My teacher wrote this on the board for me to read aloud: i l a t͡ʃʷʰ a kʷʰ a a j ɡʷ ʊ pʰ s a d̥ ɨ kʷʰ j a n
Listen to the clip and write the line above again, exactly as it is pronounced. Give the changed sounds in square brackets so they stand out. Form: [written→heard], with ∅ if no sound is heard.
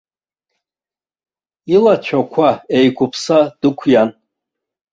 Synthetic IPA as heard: i l a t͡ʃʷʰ a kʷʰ a [a→e] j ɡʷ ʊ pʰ s a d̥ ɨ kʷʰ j a n